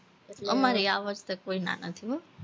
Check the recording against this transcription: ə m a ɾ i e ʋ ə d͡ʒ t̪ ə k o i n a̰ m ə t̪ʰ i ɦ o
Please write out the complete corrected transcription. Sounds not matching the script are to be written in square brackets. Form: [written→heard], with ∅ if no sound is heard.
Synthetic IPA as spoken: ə m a ɾ i [e→a] ʋ ə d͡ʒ t̪ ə k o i n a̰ [m→n] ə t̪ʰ i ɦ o

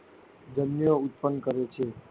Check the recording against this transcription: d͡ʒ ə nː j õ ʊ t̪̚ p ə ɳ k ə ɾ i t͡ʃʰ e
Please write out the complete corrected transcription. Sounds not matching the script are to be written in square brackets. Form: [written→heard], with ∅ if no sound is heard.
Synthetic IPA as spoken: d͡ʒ ə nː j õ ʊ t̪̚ p ə [ɳ→n] k ə ɾ [i→e] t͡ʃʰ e

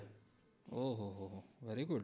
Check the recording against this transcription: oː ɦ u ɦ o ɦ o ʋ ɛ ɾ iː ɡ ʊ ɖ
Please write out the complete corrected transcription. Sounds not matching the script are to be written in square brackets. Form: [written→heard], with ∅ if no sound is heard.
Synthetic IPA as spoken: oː ɦ [u→o] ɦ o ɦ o ʋ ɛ ɾ [iː→i] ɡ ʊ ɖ

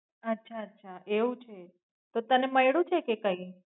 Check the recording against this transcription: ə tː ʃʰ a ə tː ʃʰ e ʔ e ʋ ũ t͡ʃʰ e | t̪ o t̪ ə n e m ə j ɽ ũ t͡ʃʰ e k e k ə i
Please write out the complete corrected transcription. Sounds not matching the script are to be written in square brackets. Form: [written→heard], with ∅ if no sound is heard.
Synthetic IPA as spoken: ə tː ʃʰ a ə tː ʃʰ [e→a] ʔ e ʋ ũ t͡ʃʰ e | t̪ o t̪ ə n e m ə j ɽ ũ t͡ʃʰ e k e k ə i

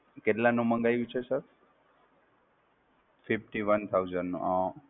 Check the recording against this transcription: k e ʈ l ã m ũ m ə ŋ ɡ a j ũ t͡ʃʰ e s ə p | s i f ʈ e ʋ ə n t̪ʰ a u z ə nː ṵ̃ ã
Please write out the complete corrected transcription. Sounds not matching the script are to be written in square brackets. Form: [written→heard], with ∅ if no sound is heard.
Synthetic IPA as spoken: k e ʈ l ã [m→n] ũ m ə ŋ ɡ a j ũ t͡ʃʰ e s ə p | [s→f] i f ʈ [e→i] ʋ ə n t̪ʰ a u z ə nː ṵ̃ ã

